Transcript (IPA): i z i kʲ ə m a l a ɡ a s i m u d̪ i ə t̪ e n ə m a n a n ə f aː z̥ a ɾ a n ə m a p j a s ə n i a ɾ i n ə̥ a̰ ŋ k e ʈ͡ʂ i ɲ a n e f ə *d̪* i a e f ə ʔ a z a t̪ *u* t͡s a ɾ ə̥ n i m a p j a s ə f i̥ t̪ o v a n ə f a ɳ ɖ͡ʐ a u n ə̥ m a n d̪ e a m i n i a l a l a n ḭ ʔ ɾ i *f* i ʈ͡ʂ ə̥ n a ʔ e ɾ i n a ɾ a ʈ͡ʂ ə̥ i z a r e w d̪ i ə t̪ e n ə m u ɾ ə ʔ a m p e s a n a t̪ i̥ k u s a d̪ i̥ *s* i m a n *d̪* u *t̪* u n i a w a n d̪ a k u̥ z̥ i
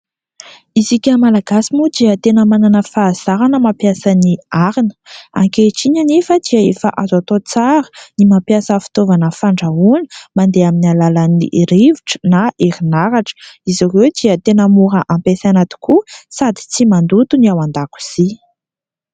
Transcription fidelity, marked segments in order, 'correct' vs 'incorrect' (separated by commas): correct, incorrect, incorrect, incorrect, correct, correct